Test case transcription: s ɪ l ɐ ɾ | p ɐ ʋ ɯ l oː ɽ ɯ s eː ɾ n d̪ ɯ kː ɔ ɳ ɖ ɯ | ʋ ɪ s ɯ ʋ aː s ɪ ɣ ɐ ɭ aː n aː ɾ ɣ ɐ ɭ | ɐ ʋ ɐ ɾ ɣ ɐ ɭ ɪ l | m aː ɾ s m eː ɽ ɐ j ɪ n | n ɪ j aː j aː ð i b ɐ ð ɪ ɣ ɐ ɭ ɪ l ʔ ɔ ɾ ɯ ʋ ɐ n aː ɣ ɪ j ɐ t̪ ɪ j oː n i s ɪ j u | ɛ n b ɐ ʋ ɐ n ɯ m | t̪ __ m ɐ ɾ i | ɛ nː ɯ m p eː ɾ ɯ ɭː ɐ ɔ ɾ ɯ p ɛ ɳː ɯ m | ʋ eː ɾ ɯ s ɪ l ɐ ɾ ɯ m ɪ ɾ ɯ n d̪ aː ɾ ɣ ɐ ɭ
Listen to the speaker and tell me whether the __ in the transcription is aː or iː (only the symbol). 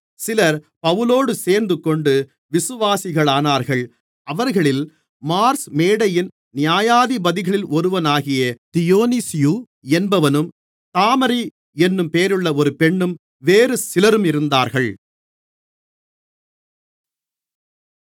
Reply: aː